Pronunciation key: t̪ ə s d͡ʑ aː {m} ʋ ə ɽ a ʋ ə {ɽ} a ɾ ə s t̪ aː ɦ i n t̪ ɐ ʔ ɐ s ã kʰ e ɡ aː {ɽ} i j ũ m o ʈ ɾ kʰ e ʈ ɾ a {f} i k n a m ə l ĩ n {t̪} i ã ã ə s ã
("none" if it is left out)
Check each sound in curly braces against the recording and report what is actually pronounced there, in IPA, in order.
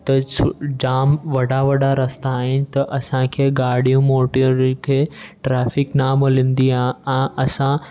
m, ɽ, ɽ, f, d̪

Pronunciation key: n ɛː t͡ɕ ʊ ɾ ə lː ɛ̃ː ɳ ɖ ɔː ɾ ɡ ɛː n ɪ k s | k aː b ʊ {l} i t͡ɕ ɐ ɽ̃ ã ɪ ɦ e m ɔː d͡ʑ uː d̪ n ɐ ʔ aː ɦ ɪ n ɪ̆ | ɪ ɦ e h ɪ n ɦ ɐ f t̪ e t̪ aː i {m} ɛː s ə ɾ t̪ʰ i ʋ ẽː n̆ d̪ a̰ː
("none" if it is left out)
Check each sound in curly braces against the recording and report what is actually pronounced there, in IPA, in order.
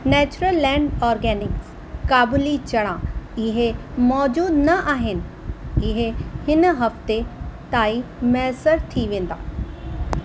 l, m

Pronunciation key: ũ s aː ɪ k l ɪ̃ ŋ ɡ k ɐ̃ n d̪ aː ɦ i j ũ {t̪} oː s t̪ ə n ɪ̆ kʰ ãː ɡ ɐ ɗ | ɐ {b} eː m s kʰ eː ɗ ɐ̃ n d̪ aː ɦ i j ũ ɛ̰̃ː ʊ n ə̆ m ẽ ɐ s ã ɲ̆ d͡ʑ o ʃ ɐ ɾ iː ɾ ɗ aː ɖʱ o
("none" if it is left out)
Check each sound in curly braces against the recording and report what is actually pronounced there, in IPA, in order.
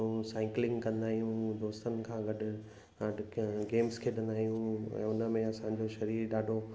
d̪, ɡ

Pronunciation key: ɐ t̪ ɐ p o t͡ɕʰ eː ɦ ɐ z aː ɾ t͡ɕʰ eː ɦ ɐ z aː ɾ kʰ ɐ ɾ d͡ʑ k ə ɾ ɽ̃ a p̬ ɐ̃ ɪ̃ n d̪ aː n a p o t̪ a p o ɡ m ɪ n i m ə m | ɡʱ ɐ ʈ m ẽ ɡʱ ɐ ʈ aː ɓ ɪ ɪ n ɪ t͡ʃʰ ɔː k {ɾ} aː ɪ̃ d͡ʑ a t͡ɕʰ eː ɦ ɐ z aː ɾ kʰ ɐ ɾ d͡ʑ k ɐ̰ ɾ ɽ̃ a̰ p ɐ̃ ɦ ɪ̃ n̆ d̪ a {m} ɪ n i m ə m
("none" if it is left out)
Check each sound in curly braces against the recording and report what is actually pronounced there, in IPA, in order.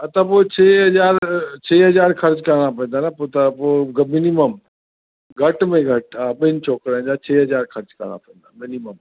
ɾ, m

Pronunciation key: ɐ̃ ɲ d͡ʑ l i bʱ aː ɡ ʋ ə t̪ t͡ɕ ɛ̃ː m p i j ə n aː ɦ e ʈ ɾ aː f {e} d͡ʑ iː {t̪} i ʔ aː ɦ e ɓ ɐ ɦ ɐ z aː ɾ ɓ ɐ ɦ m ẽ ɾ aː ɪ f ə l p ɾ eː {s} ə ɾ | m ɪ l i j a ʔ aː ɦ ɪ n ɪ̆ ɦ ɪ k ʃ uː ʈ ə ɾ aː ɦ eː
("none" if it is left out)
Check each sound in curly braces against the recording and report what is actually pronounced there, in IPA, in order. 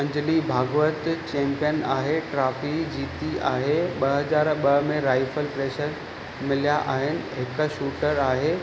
i, t̪, ʃ

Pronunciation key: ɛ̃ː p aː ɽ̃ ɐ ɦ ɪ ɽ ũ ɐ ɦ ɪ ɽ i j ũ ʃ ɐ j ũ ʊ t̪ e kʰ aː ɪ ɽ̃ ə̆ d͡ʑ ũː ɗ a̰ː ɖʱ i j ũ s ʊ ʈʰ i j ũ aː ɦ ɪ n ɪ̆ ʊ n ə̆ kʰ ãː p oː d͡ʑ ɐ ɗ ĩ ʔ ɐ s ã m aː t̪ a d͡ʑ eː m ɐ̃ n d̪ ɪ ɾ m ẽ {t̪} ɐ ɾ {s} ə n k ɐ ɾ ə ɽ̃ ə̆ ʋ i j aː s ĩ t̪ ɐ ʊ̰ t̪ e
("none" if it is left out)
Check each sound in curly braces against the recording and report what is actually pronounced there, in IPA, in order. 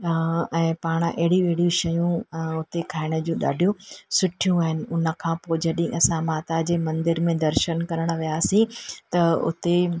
d̪, ʃ

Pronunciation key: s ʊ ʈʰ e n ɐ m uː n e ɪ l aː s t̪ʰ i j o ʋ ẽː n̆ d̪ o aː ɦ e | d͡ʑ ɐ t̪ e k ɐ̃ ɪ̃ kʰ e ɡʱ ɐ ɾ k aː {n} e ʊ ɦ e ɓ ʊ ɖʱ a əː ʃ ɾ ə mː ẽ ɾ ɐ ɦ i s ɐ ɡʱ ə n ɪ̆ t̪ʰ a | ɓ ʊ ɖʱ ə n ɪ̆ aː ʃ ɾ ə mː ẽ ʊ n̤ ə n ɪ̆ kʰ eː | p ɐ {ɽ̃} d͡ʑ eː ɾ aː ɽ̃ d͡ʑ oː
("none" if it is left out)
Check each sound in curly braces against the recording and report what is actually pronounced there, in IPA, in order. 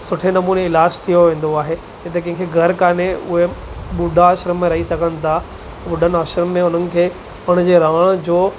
n, ɽ̃

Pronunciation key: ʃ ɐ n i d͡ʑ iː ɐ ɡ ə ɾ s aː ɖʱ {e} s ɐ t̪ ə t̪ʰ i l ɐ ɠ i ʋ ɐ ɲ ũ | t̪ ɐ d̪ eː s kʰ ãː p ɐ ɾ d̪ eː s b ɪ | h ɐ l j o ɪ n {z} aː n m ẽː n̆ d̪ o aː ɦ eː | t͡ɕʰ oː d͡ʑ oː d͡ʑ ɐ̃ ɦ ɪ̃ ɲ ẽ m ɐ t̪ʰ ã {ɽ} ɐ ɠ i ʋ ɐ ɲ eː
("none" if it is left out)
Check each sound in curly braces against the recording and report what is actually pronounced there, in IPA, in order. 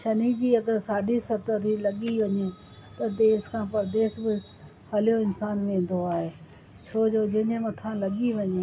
i, s, l

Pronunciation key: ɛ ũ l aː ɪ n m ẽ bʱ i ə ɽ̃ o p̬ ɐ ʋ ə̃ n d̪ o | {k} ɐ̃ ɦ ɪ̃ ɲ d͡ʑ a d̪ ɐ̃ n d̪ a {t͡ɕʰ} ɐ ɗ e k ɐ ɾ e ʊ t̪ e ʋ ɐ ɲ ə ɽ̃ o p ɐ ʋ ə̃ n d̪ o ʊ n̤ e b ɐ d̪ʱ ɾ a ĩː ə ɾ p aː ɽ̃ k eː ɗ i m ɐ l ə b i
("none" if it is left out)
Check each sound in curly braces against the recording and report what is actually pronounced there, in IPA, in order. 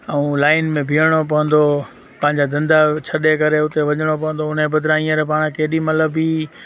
p, t͡ɕʰ

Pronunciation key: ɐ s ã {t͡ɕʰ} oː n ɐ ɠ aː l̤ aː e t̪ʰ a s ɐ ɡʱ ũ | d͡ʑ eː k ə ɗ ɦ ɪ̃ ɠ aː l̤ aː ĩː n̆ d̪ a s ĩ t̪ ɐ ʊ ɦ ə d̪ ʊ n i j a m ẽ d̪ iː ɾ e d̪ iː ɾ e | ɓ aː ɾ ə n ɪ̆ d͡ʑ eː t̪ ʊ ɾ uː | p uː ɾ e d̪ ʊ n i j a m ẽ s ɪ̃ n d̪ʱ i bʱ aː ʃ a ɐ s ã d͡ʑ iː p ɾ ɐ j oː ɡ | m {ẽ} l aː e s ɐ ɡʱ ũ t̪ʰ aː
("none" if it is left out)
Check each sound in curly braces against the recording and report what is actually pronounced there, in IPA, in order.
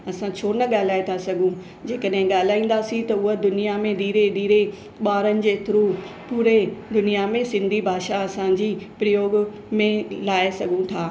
t͡ɕʰ, ẽ

